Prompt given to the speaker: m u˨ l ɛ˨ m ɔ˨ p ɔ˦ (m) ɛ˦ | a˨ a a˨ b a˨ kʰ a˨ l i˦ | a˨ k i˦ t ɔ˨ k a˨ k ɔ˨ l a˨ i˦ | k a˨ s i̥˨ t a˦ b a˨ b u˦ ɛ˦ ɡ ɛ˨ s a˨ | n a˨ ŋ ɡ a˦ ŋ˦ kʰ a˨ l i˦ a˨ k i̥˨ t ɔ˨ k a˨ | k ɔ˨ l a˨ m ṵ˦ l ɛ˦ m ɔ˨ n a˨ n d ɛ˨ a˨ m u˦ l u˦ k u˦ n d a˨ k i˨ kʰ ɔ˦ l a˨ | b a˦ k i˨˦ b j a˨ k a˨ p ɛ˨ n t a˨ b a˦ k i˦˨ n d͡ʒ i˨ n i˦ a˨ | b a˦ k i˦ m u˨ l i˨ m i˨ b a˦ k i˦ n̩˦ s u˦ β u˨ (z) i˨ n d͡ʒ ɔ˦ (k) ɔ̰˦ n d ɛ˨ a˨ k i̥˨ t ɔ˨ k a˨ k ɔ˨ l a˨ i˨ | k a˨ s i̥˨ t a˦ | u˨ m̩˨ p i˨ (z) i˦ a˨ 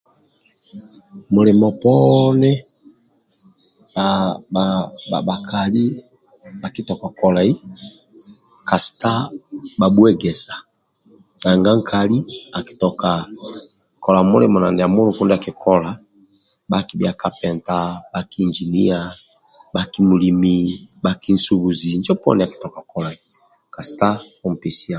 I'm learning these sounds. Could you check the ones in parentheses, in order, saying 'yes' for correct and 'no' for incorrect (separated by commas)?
no, yes, no, no